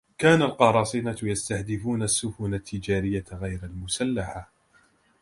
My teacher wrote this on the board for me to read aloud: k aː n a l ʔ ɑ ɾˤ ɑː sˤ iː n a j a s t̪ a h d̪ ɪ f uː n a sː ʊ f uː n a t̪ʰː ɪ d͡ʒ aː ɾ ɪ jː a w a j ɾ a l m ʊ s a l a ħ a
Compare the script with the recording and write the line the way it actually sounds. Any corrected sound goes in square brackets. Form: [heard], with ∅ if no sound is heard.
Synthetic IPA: k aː n a l [q] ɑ ɾˤ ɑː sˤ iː n a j a s t̪ a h d̪ ɪ f uː n a sː ʊ f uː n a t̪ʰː ɪ d͡ʒ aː ɾ ɪ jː a [ɣ] a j ɾ a l m ʊ s a [lː] a ħ a